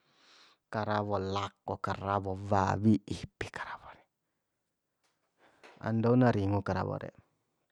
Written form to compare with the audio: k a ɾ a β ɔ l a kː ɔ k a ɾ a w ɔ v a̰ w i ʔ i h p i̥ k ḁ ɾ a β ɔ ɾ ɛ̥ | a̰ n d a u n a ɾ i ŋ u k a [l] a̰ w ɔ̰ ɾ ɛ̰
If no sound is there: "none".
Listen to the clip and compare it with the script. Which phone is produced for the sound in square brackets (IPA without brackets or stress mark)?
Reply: ɾ